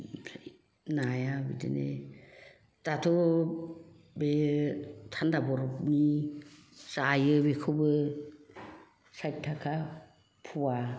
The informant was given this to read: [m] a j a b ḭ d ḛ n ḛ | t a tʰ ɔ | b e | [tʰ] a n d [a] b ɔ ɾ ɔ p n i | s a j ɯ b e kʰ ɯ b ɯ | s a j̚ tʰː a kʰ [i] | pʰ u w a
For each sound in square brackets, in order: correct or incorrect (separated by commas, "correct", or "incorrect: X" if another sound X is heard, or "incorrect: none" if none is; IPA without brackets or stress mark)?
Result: incorrect: n, correct, correct, incorrect: a